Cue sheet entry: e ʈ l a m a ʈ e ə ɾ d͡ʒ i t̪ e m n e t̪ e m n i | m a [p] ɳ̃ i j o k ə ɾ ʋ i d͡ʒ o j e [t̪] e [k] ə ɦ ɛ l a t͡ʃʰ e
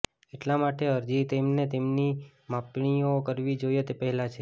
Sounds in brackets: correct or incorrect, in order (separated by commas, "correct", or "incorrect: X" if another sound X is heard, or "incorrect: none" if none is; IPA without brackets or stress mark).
correct, correct, incorrect: p